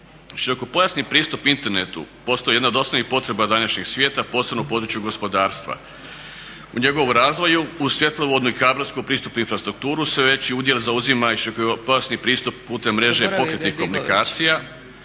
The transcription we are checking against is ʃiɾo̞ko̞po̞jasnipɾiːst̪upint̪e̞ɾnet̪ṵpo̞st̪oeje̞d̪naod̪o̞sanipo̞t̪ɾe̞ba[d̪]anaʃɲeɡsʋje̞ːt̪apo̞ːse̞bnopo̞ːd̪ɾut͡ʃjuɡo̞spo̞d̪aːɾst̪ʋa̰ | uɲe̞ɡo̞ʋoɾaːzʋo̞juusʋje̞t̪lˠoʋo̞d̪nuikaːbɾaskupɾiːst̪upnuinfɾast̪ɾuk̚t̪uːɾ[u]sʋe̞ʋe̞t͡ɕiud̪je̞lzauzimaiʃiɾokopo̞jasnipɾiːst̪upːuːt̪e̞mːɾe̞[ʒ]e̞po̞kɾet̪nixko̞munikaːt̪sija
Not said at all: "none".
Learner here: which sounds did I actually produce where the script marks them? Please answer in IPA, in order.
d̪, u, ʒ

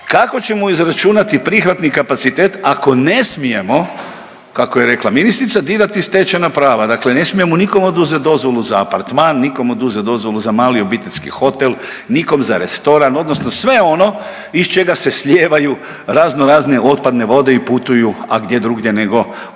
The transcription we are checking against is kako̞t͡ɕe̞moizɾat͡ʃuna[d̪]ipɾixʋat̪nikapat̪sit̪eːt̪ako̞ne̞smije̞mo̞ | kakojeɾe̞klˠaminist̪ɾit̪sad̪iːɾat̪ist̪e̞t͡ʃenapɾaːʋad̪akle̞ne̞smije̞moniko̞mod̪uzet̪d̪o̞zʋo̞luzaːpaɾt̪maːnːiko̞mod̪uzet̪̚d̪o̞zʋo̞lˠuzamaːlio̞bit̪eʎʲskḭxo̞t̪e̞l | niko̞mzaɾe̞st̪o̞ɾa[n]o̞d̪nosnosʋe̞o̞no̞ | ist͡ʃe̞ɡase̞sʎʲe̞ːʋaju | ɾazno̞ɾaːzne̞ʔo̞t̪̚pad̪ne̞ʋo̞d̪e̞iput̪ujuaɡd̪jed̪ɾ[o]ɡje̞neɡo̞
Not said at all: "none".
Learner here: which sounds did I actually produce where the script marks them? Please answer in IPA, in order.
t̪, n, u

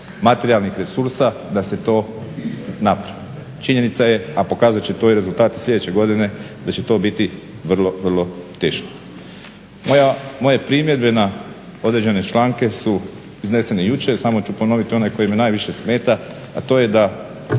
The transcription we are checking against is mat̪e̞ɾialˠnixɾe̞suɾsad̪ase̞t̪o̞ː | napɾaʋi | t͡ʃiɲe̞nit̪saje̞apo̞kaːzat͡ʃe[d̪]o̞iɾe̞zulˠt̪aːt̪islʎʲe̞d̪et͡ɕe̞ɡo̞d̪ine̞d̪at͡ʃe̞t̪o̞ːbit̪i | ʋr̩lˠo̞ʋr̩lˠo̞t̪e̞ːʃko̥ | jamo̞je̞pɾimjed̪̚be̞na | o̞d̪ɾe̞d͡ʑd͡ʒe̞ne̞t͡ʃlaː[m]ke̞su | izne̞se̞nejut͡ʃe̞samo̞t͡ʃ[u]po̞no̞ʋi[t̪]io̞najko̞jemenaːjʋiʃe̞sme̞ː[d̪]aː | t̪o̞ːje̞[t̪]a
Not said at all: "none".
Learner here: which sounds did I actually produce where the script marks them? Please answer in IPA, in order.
t̪, ŋ, u, t̪, t̪, d̪

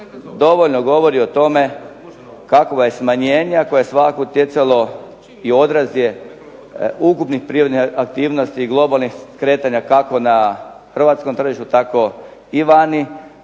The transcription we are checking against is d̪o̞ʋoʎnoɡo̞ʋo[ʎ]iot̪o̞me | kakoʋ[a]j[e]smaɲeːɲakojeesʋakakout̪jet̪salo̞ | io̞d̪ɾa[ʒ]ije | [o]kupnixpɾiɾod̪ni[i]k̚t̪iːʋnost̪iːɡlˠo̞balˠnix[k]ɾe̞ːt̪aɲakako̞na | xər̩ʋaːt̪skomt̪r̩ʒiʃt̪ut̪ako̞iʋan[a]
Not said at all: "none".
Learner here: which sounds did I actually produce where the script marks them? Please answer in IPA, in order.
ɾ, a, e, z, u, a, k, i

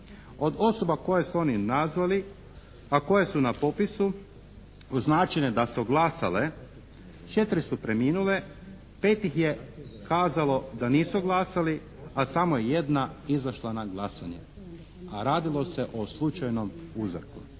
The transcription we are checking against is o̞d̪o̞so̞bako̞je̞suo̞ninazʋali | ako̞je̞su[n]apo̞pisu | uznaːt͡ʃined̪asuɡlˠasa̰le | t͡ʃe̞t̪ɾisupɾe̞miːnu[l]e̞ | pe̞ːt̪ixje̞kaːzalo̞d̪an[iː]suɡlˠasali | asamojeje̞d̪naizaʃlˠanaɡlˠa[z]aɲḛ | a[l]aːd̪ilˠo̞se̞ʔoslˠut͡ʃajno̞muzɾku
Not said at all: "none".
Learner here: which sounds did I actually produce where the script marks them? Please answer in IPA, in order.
n, l, iː, s, ɾ

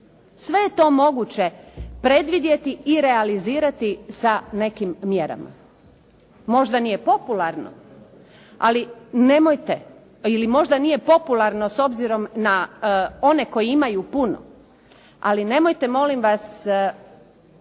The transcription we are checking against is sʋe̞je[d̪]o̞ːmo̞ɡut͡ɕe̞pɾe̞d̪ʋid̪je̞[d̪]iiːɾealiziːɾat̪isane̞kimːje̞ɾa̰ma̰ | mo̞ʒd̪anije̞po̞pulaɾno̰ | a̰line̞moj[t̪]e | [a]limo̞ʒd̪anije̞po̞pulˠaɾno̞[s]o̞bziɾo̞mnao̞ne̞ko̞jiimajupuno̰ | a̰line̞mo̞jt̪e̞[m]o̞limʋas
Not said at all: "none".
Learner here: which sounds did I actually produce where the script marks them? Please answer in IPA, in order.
t̪, t̪, t̪, i, s, m

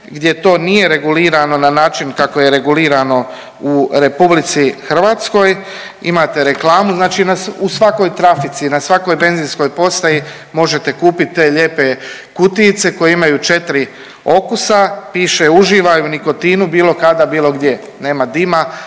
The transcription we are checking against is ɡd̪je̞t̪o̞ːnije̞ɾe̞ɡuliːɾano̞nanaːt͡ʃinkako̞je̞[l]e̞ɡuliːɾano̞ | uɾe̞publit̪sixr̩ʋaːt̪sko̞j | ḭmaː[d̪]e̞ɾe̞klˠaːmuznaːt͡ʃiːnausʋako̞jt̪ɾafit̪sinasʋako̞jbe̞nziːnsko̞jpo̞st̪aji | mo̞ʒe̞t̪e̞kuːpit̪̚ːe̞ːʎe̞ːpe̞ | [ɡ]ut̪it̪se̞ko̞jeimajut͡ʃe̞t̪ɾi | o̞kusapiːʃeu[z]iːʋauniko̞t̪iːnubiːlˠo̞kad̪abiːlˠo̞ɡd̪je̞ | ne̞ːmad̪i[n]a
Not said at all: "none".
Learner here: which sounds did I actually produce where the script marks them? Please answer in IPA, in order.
ɾ, t̪, k, ʒ, m

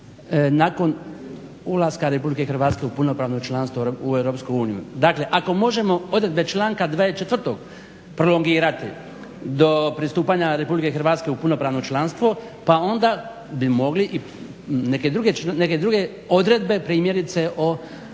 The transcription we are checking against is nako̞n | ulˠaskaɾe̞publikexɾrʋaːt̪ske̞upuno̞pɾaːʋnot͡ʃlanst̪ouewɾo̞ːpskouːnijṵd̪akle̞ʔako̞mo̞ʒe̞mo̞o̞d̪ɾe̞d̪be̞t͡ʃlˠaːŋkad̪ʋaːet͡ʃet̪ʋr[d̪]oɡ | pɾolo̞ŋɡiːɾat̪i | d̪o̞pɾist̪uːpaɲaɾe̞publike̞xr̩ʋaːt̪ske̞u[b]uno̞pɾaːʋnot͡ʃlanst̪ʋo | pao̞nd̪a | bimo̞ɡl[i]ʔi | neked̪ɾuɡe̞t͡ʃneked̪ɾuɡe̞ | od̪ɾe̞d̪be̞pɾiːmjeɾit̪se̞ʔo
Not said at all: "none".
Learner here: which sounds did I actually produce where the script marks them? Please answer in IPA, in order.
t̪, p, i

